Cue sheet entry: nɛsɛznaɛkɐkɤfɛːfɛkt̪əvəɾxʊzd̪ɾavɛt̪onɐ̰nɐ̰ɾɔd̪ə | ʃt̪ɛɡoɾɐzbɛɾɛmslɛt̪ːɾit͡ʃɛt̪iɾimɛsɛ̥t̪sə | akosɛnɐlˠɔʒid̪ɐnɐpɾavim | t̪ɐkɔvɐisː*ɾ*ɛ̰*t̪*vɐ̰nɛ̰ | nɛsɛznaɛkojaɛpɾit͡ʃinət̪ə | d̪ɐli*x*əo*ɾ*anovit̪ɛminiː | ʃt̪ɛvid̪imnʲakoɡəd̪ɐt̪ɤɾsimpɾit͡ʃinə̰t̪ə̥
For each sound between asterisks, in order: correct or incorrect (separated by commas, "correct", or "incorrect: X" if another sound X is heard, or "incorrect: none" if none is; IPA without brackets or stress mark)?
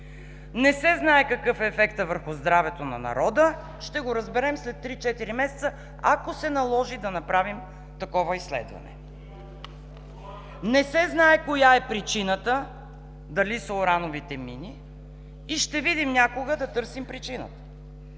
incorrect: l, incorrect: d̪, incorrect: s, correct